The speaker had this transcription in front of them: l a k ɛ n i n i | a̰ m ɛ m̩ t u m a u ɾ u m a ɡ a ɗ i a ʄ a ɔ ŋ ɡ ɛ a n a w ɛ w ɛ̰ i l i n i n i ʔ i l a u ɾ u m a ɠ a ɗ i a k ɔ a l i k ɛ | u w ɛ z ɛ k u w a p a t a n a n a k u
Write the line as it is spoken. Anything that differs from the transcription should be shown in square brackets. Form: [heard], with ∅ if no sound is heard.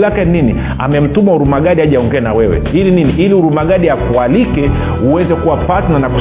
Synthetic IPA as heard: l a k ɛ n i n i | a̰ m ɛ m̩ t u m a u ɾ u m a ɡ a ɗ i a ʄ a ɔ ŋ ɡ ɛ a n a w ɛ w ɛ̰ i l i n i n i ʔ i l [i] u ɾ u m a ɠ a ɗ i a k [u] a l i k ɛ | u w ɛ z ɛ k u w a p a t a n a n a k u